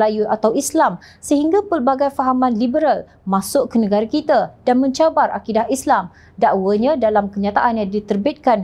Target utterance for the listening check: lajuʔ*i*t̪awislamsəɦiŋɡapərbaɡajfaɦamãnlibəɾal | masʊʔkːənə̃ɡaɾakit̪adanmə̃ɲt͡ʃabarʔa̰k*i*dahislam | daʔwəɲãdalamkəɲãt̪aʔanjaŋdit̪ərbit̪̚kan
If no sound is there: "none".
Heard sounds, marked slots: a, i

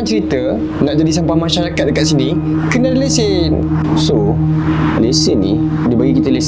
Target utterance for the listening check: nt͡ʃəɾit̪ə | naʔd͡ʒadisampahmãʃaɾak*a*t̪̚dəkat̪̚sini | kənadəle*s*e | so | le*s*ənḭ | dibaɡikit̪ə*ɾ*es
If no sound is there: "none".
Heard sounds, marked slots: a, s, s, l

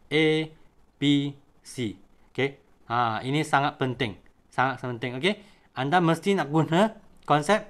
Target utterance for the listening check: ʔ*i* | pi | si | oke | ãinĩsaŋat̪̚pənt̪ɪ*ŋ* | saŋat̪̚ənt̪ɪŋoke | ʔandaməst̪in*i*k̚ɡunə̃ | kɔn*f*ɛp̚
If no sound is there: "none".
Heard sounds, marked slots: e, ŋ, a, s

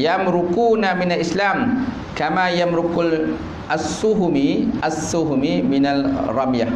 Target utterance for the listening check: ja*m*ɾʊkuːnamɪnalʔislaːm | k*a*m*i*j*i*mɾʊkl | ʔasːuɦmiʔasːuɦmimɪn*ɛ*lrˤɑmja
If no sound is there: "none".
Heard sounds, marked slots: m, a, a, a, a

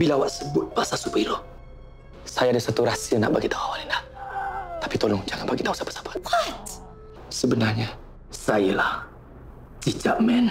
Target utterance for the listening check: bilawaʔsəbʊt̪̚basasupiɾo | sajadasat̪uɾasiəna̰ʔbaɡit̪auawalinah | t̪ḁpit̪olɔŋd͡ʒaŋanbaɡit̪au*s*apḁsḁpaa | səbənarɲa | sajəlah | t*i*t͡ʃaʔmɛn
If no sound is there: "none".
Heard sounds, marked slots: s, i

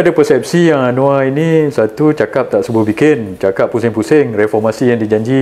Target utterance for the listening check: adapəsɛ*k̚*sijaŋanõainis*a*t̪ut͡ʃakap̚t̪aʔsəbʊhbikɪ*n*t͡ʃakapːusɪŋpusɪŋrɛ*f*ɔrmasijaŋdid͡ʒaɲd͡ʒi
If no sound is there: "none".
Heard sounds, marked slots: p̚, a, n, f

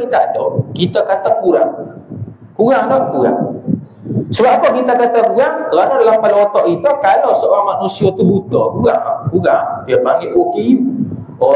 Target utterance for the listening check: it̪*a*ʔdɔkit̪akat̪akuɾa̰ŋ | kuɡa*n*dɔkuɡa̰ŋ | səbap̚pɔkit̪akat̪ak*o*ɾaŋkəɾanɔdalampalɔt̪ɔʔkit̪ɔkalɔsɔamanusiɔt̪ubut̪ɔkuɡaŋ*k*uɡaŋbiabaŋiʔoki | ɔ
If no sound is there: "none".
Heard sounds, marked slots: a, ŋ, u, k

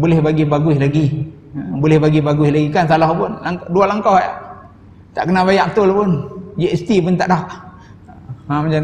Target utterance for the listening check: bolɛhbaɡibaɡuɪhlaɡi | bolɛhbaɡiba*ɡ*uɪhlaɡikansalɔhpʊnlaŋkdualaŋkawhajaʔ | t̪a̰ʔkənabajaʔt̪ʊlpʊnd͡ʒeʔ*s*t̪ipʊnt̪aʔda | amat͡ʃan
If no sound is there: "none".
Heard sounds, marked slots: ɡ, s

